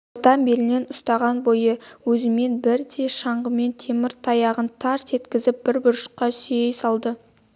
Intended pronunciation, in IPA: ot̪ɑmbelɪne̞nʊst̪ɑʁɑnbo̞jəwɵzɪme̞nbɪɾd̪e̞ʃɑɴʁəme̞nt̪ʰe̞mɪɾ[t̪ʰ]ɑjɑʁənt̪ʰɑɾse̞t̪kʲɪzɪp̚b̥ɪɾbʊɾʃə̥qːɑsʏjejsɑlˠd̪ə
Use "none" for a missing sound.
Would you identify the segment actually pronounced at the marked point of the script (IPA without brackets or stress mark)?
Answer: t̪ʰ